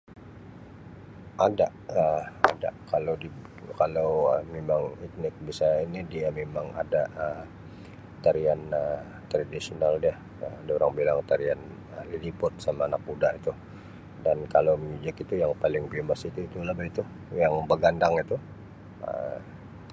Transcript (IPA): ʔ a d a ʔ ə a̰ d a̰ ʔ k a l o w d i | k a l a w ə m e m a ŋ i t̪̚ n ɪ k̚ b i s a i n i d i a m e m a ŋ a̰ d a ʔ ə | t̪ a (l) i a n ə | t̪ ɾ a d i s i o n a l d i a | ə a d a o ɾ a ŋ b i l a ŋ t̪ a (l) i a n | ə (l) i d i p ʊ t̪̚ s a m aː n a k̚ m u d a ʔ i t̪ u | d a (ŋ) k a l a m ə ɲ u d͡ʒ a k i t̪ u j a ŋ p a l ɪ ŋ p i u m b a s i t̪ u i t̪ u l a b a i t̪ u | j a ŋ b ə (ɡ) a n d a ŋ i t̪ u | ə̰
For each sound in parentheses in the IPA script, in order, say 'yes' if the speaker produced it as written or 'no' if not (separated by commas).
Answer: no, no, yes, no, yes